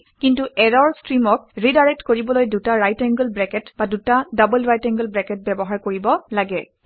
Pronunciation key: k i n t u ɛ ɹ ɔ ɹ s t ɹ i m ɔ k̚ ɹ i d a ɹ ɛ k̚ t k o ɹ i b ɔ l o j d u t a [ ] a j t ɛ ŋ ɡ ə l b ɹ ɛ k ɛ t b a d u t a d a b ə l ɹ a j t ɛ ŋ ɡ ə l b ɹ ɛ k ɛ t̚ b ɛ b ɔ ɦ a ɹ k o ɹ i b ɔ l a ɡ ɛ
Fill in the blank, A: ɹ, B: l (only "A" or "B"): A